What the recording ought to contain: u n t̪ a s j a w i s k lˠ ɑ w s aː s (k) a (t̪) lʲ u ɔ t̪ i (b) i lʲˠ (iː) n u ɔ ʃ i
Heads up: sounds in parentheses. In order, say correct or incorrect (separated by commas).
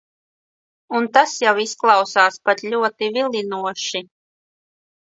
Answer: incorrect, correct, incorrect, incorrect